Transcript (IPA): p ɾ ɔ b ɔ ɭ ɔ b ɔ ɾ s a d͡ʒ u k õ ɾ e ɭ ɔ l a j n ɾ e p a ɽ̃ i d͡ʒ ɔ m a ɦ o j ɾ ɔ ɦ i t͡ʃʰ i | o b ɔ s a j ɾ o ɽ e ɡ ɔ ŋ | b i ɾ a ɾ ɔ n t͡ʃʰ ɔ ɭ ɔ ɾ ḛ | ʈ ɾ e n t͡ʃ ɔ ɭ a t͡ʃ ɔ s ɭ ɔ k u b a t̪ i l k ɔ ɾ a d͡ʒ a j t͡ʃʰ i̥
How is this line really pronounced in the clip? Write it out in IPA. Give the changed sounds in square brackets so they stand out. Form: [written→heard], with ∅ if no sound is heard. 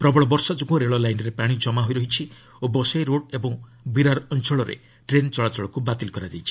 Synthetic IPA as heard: p ɾ ɔ b ɔ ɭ ɔ b ɔ ɾ s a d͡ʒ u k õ ɾ e ɭ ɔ l a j n ɾ e p a ɽ̃ i d͡ʒ ɔ m a ɦ o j ɾ ɔ ɦ i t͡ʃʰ i | o b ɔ s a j ɾ o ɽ e [ɡ→b] ɔ ŋ | b i ɾ a ɾ ɔ n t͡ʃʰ ɔ ɭ ɔ ɾ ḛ | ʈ ɾ e n t͡ʃ ɔ ɭ a t͡ʃ ɔ [s→∅] ɭ ɔ k u b a t̪ i l k ɔ ɾ a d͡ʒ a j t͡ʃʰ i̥